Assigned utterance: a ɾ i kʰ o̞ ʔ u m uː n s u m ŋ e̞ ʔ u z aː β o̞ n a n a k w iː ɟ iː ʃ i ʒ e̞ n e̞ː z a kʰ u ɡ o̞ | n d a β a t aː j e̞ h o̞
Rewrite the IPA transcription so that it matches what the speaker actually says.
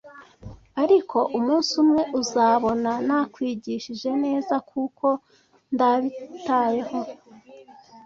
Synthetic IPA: a ɾ i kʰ o̞ ʔ u m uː n s u m ŋ e̞ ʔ u z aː β o̞ n a n a k w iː ɟ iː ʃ i ʒ e̞ n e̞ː z a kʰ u k o̞ | n d a β i t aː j e̞ h o̞